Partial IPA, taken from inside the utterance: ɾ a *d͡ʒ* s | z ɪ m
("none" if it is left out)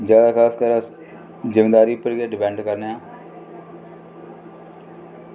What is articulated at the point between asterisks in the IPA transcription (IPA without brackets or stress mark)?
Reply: none